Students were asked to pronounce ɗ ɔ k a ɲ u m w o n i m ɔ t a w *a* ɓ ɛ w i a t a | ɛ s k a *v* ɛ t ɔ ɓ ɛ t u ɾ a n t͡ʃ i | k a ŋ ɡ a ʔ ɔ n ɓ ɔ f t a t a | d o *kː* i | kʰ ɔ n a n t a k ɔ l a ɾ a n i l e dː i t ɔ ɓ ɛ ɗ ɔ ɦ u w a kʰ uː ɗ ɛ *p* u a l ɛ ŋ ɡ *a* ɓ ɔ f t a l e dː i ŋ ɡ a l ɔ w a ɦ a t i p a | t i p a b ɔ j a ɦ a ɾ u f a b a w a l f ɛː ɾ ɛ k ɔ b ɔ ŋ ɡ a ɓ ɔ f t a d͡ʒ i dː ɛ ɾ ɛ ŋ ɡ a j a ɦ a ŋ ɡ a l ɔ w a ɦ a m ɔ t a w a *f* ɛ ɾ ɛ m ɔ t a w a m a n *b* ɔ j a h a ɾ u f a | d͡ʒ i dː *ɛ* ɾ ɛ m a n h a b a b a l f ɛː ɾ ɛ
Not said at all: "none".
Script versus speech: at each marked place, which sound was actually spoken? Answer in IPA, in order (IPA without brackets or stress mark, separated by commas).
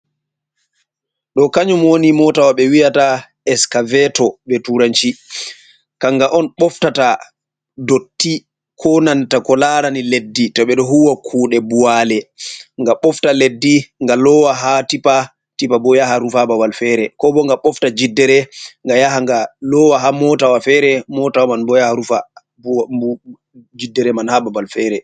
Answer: a, v, tː, b, a, f, b, ɛ